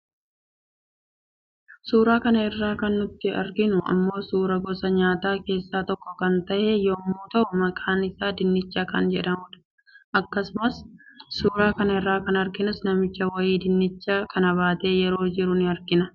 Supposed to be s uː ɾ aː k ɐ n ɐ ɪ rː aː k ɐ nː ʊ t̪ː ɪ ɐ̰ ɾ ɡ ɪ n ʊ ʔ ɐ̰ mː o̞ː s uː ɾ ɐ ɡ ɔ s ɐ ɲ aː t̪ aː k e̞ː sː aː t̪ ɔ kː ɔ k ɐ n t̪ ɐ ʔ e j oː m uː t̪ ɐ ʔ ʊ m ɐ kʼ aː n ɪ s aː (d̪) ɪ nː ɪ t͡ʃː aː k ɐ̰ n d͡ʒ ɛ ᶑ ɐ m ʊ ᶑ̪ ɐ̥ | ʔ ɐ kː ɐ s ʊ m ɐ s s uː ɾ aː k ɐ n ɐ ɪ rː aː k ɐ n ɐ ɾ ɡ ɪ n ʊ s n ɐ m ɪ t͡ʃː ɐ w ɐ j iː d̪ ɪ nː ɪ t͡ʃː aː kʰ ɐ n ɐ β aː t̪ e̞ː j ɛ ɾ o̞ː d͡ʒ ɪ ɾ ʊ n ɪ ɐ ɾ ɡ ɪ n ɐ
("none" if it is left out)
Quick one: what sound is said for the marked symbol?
d̪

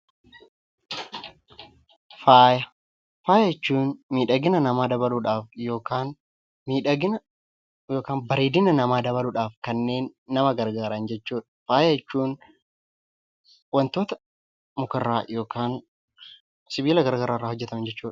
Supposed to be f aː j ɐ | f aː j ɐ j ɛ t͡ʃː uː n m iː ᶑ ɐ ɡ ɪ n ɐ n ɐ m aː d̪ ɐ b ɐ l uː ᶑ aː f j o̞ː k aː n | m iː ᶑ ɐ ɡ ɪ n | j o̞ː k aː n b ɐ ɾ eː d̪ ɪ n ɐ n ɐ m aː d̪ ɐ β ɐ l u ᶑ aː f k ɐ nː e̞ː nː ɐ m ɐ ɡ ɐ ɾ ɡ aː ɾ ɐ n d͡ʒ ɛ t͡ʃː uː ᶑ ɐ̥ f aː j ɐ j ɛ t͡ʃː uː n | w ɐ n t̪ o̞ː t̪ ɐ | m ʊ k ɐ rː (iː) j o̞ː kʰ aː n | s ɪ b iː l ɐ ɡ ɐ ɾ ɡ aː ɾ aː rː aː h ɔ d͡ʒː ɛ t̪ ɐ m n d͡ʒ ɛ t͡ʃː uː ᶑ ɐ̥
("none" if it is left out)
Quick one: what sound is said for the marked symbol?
aː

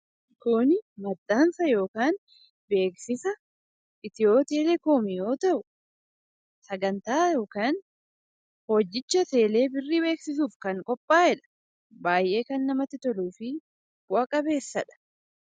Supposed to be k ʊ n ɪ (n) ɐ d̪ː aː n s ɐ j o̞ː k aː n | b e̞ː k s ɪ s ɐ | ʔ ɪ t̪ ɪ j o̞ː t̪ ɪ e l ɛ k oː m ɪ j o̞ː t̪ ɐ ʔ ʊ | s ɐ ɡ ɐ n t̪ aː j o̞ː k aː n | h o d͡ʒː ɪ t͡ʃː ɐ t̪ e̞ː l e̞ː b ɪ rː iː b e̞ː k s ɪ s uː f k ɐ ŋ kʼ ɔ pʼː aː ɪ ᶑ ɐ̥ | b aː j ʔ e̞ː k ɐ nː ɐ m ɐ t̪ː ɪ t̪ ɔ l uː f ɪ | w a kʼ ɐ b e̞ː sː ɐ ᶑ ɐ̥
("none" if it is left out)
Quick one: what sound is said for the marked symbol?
m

